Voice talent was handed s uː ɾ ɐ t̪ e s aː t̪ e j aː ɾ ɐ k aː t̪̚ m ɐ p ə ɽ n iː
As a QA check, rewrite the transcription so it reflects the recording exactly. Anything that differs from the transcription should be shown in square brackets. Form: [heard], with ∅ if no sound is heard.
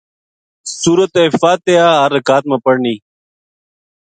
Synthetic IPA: s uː ɾ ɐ t̪ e [f] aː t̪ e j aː ɾ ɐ k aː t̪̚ m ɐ p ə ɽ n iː